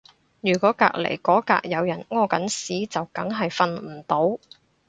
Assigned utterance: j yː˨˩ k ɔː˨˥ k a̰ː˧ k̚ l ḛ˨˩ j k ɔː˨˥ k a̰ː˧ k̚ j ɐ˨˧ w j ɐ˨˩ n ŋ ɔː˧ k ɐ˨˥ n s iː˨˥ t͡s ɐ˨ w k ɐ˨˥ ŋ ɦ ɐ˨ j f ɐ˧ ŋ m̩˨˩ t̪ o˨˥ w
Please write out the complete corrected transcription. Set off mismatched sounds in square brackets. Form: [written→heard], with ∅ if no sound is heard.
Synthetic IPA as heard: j yː˨˩ k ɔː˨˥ k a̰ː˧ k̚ l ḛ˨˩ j k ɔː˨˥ k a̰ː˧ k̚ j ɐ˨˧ w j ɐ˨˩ n ŋ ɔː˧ k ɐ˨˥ n s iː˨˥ t͡s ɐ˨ w k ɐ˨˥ ŋ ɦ ɐ˨ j f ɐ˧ [ŋ→n] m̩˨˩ t̪ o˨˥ w